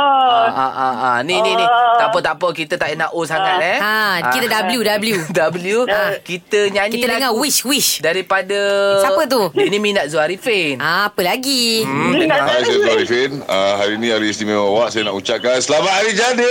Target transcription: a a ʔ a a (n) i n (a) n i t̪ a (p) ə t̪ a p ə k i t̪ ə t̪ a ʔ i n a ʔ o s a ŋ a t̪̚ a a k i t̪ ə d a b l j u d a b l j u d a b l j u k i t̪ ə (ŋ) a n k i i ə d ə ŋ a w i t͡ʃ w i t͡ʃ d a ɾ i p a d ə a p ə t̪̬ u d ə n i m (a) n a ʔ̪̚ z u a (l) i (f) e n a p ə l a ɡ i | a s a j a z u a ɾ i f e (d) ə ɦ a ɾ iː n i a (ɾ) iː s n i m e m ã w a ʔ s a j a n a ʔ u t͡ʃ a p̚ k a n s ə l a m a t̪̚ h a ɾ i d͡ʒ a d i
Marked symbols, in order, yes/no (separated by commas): yes, no, yes, no, no, no, yes, no, yes